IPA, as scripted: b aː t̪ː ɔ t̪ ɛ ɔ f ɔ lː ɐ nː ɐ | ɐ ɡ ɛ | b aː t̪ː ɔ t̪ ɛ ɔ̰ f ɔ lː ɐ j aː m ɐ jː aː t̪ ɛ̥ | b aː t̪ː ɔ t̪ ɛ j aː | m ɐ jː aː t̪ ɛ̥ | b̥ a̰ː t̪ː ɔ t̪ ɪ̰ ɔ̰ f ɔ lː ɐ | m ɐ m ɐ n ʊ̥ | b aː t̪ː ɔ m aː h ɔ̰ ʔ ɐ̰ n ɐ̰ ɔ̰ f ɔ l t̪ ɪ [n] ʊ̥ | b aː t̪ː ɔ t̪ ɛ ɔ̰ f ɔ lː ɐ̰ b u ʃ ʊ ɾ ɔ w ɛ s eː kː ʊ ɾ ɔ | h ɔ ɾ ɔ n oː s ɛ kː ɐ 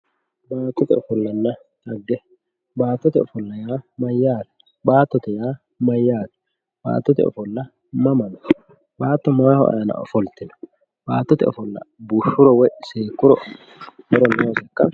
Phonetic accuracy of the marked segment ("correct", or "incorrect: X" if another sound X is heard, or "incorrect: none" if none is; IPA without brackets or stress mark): correct